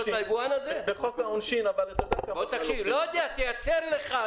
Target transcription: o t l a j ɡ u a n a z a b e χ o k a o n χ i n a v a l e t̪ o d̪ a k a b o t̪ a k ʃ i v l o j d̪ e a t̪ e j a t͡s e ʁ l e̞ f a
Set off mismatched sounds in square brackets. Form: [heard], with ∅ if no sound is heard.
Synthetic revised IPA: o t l a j ɡ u a n a z [e] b e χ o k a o n [ʃ] i n a v a l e t̪ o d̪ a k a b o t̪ a k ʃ i v l o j d̪ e a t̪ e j a t͡s e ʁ l e̞ [χ] a